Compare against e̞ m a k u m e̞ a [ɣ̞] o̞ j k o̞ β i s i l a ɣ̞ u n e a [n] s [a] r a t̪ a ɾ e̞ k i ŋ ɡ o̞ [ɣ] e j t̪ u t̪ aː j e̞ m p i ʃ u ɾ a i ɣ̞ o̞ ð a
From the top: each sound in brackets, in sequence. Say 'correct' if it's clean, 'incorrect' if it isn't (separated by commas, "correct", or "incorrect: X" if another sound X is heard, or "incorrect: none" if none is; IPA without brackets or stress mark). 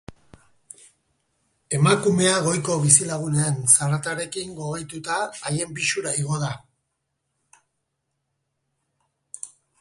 correct, correct, correct, correct